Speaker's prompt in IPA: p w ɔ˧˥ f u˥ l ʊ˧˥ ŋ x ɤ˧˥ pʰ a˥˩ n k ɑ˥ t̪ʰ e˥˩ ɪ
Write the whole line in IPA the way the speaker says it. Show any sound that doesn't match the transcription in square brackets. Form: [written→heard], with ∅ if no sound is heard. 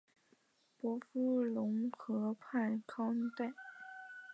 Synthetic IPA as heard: p w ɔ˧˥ f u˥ l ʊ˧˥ ŋ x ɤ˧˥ pʰ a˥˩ n [k→kʰ] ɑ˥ [t̪ʰ→t̪] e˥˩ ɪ